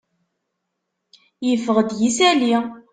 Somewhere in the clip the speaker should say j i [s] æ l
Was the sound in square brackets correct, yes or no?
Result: yes